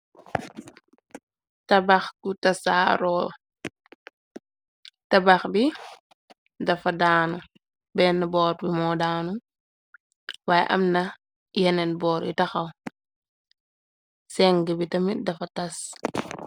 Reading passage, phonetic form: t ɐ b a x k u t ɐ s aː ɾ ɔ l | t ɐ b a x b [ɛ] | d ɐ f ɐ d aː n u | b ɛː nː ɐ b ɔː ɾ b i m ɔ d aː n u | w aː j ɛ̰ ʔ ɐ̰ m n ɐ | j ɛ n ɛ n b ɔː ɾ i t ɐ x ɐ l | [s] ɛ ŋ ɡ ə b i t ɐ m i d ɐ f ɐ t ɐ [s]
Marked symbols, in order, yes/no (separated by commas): no, yes, yes